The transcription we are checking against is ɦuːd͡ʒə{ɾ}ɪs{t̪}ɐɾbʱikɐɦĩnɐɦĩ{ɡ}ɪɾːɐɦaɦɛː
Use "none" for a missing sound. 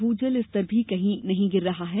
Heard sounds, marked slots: l, t̪, ɡ

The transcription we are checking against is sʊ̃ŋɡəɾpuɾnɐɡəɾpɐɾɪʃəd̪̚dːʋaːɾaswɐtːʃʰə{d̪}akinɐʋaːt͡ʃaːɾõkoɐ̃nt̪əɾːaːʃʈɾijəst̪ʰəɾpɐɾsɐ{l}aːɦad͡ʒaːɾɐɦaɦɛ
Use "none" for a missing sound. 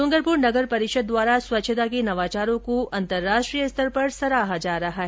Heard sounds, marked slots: t̪, ɾ

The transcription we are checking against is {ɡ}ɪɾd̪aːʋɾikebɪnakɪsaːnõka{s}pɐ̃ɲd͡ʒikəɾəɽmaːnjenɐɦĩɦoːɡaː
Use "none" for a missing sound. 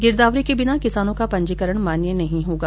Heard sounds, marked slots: ɡ, none

